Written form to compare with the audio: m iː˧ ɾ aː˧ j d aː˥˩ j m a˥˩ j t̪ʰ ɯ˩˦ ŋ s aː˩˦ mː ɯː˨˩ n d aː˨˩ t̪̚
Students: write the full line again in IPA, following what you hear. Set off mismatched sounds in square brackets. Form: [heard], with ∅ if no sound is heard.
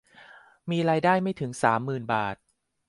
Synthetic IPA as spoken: m iː˧ ɾ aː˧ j d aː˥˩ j m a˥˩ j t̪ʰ ɯ˩˦ ŋ s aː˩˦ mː ɯː˨˩ n [b] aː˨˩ t̪̚